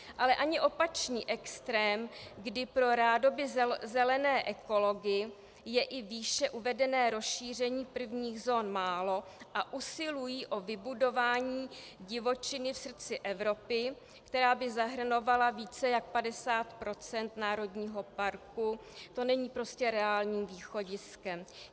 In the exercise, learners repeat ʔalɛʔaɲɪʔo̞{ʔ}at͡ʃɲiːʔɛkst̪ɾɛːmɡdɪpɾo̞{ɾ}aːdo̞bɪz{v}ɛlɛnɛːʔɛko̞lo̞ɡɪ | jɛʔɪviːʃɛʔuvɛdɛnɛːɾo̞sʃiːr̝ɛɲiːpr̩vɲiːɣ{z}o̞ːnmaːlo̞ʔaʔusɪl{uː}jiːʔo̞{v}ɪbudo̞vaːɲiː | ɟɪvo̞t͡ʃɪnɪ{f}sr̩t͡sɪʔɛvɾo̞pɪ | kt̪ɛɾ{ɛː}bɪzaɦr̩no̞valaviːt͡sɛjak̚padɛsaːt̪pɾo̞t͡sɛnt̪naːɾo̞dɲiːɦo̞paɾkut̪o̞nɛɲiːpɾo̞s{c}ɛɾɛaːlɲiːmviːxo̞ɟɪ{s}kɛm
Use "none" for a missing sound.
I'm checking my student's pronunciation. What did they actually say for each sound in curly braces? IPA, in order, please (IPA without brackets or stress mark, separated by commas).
p, ɾ, z, z, u, v, f, aː, c, s